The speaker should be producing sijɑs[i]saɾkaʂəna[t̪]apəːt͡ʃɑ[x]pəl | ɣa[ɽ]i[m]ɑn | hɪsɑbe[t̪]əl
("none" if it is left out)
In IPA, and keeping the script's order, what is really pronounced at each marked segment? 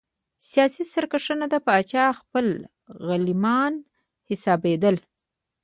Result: i, d̪, x, l, m, d̪

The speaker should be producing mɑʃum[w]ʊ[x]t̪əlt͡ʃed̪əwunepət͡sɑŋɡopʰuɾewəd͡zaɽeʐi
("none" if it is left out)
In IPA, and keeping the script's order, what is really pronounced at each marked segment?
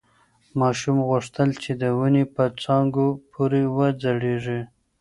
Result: ɣ, ʂ

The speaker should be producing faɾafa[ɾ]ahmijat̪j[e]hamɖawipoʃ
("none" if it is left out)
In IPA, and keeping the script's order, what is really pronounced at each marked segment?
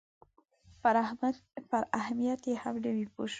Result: ɾ, e

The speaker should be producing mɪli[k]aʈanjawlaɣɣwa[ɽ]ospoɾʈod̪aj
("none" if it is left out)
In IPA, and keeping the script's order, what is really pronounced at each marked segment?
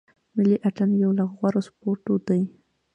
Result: ʔ, ɾ

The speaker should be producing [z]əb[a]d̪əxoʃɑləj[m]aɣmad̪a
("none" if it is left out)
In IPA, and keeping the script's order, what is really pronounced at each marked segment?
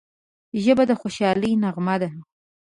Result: ʒ, a, n

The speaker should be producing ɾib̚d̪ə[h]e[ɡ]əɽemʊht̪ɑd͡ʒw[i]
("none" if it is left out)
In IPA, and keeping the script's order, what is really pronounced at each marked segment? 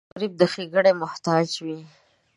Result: x, ɡ, i

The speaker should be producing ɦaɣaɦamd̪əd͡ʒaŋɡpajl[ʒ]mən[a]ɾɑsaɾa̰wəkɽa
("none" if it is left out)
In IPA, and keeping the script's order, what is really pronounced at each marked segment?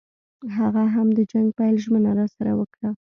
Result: ʒ, a

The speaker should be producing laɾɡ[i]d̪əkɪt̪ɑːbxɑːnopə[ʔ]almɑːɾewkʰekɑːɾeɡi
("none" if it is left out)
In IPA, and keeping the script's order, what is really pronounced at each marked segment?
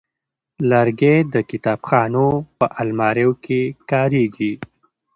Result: e, ʔ

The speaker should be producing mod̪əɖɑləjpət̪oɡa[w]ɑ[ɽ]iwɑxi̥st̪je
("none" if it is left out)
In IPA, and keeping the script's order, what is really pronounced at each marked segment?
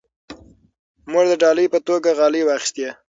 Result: ɣ, l

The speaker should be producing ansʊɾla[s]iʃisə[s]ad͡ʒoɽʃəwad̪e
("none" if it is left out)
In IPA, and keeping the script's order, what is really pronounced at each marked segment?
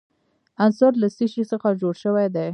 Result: s, x

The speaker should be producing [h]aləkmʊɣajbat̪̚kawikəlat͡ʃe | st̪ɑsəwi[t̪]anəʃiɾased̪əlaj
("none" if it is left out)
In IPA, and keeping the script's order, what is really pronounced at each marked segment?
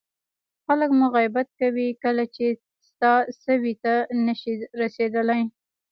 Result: x, t̪

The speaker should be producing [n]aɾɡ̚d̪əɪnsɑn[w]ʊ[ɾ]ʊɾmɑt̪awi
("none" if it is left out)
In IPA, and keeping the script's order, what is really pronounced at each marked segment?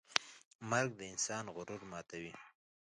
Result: m, ɣ, ɾ

